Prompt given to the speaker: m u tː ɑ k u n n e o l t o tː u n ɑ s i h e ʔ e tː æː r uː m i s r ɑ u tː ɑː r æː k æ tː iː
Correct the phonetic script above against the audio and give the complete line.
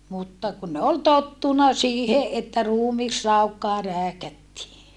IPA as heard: m u tː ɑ k u n n e o l t o tː u n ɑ s iː h e ʔ e tː æ r uː m i s r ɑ u kː ɑː r æː k æ tː iː